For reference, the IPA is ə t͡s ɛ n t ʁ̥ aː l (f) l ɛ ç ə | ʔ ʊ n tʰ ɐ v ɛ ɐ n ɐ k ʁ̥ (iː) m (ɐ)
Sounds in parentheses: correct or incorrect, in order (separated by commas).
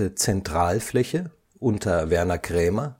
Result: correct, incorrect, correct